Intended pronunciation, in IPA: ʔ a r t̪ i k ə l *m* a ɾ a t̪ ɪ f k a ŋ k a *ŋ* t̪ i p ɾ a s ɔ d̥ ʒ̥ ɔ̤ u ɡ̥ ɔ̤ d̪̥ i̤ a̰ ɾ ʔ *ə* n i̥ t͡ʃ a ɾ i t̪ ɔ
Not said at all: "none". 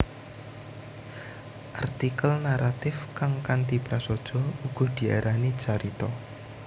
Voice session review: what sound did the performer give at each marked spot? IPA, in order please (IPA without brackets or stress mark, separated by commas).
n, n, a